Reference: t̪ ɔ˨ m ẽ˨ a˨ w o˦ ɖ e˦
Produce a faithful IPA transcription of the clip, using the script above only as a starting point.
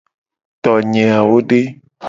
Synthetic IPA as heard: t̪ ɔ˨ ɲ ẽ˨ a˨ w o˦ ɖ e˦